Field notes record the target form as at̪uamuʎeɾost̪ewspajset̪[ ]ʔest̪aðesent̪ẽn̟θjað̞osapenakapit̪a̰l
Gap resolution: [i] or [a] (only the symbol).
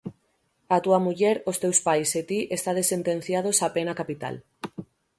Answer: i